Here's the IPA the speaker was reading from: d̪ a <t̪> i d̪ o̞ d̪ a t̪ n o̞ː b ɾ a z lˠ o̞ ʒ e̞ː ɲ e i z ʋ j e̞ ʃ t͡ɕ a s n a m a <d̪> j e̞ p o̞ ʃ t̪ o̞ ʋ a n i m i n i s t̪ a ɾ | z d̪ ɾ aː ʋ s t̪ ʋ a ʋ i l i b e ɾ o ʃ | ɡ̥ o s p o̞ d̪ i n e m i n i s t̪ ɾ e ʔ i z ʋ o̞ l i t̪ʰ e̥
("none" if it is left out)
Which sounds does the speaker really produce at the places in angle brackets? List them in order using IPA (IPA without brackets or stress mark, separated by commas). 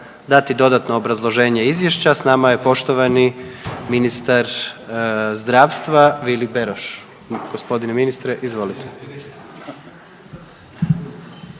t̪, none